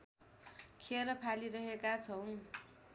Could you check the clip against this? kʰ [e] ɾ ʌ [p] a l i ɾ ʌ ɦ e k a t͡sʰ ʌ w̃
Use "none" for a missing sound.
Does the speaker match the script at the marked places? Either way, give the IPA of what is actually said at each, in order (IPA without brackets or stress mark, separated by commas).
e, pʰ